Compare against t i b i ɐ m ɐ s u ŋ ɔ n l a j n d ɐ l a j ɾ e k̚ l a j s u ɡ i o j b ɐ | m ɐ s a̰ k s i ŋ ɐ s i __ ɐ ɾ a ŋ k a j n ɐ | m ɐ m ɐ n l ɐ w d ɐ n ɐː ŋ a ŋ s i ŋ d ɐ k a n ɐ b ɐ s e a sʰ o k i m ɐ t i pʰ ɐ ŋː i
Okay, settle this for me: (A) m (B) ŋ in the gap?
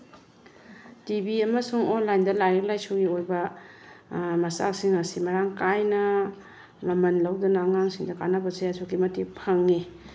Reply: A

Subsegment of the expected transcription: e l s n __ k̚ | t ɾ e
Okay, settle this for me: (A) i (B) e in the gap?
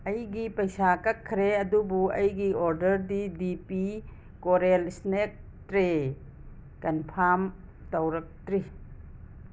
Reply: B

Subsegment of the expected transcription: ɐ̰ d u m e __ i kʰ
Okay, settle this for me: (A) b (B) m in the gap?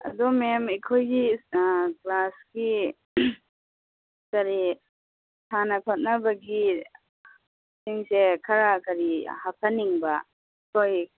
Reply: B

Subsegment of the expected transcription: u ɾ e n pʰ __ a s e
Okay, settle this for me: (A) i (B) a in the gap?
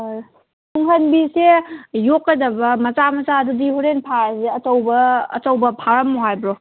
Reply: B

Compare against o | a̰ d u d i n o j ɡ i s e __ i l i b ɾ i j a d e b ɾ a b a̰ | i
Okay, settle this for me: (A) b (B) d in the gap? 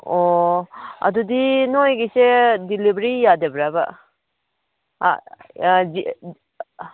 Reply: B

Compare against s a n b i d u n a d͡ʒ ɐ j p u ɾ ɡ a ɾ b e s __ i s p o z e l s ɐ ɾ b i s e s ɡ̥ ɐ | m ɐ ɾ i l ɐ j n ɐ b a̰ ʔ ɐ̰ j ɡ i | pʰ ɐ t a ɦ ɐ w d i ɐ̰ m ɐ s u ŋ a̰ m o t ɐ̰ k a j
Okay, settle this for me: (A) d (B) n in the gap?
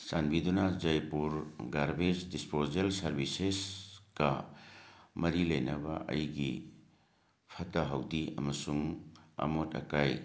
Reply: A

